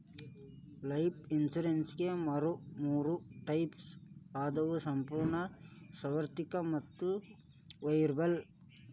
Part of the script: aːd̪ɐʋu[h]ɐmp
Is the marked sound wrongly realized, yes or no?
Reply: yes